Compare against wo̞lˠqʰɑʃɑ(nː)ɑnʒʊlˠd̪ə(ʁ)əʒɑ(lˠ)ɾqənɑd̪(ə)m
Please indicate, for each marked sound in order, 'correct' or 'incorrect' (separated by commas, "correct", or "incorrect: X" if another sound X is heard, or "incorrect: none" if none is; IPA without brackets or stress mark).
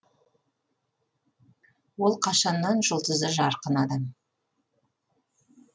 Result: correct, incorrect: z, incorrect: none, incorrect: ɑ